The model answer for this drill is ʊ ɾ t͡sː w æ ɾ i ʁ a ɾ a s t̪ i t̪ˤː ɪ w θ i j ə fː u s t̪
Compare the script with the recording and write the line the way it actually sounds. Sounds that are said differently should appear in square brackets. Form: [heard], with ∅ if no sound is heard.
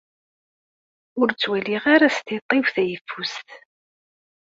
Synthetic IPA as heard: ʊ ɾ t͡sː w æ [l] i ʁ a ɾ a s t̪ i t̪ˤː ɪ w θ [æ] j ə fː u s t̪